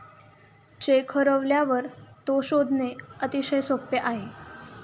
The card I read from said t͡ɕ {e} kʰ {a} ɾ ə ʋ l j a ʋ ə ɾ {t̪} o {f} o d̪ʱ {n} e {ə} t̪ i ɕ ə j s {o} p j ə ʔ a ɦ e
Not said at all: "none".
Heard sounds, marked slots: e, ə, t̪, ɕ, n, ə, o

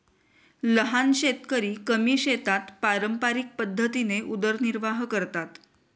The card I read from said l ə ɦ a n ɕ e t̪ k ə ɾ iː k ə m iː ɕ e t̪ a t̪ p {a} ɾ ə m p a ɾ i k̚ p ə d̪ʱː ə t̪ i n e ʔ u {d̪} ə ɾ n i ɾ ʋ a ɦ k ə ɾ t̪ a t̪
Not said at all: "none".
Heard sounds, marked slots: a, d̪

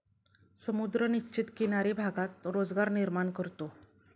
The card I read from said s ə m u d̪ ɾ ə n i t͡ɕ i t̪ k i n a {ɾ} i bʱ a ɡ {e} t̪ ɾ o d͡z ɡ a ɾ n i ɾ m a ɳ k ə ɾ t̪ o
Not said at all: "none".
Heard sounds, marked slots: ɾ, a

